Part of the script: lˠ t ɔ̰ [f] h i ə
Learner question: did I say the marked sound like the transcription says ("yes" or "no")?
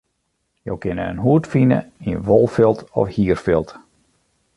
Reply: yes